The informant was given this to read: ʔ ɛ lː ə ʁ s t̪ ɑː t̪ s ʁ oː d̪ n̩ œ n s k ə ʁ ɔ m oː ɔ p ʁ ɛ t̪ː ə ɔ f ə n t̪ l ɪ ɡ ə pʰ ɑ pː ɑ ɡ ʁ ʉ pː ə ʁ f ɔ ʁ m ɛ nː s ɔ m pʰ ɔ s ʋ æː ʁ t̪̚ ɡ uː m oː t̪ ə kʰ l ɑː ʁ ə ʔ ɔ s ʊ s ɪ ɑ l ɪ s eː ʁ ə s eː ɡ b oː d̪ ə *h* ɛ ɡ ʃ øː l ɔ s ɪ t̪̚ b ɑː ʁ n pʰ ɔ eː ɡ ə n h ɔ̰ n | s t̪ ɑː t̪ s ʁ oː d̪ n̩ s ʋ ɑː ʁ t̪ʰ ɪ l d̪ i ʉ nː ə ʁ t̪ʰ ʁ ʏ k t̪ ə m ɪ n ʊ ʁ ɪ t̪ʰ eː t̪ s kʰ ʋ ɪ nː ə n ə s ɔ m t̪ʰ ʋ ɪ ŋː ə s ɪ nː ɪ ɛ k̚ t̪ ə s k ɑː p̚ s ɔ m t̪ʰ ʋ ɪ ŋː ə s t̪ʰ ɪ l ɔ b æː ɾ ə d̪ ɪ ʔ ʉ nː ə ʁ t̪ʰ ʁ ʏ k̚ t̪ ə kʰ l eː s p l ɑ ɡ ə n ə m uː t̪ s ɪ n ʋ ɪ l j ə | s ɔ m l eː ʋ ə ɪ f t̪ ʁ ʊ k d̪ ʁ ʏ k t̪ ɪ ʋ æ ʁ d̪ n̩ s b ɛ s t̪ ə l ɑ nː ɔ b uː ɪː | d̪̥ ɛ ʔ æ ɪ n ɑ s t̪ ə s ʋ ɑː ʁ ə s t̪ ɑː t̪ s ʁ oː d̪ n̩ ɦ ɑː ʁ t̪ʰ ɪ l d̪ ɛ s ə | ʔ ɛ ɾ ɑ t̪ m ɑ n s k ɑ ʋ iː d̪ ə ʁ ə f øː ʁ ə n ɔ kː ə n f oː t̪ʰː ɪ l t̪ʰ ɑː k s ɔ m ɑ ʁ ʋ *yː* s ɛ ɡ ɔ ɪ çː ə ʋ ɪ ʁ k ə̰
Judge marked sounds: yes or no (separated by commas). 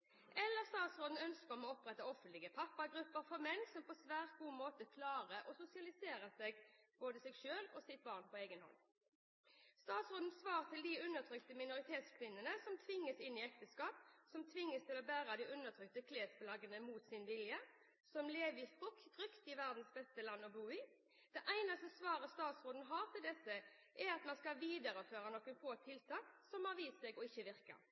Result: no, no